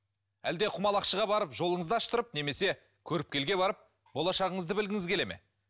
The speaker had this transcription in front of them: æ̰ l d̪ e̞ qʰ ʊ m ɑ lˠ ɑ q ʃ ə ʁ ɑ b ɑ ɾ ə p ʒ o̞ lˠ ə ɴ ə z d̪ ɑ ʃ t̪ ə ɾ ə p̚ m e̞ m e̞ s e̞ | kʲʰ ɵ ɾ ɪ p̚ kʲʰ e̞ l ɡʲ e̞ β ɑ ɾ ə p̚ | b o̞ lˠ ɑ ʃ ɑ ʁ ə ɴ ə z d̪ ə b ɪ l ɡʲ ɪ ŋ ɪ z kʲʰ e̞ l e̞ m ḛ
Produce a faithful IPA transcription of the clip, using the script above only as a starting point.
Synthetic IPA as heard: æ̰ l d̪ e̞ qʰ ʊ m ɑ lˠ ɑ q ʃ ə ʁ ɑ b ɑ ɾ ə p ʒ o̞ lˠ ə ɴ ə z d̪ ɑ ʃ t̪ ə ɾ ə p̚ n e̞ m e̞ s e̞ | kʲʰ ɵ ɾ ɪ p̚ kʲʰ e̞ l ɡʲ e̞ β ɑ ɾ ə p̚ | b o̞ lˠ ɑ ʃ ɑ ʁ ə ɴ ə z d̪ ə b ɪ l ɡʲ ɪ ŋ ɪ z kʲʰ e̞ l e̞ m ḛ